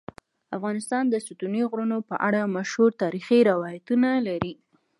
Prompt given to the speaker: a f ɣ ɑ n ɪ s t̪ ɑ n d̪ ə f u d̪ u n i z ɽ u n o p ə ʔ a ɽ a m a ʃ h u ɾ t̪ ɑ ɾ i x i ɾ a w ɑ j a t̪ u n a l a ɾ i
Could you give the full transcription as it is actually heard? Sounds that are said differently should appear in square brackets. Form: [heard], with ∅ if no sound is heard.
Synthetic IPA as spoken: a f ɣ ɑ n ɪ s t̪ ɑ n d̪ ə [s] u [t̪] u n i [ɣ] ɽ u n o p ə ʔ a ɽ a m a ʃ h u ɾ t̪ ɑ ɾ i x i ɾ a w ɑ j a t̪ u n a l a ɾ i